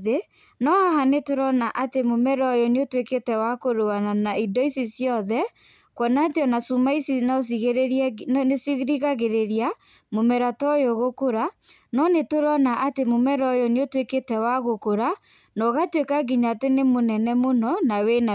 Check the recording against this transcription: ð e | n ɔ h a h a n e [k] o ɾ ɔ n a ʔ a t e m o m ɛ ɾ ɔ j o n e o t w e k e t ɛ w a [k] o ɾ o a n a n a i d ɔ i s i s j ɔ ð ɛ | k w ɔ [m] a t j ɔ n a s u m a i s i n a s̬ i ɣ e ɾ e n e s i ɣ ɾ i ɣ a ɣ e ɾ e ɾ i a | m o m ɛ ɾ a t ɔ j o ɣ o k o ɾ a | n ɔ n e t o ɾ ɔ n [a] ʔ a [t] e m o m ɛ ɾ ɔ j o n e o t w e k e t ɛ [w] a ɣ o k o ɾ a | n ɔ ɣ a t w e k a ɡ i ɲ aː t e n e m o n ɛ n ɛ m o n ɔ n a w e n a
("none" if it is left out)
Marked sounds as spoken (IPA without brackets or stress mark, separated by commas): t, k, n, a, t, w